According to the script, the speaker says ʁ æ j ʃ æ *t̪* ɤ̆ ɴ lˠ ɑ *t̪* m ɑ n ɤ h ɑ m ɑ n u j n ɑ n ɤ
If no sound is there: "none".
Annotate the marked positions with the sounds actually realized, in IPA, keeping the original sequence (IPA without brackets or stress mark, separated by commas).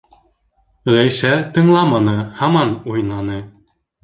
t̪, none